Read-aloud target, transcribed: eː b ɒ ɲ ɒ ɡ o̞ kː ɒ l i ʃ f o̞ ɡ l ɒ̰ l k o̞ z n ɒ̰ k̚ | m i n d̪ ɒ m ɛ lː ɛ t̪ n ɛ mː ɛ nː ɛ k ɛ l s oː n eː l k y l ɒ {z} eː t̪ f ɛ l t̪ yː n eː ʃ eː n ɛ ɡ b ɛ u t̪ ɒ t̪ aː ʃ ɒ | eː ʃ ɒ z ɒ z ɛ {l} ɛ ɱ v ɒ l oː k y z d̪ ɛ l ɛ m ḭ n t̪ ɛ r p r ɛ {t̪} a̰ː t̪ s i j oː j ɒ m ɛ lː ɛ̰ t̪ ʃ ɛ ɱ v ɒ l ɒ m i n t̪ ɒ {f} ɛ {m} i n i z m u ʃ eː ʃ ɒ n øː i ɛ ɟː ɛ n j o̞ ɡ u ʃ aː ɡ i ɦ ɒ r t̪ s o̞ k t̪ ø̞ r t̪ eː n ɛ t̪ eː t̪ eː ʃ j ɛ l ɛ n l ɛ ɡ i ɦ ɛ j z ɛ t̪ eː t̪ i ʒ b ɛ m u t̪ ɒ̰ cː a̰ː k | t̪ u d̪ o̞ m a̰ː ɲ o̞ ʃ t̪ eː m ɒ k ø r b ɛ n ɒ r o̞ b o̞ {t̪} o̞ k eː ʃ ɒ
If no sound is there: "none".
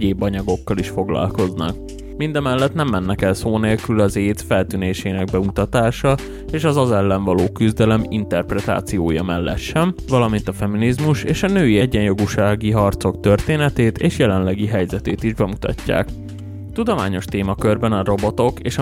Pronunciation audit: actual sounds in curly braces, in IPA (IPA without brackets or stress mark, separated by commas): z, lː, t̪, f, m, t̪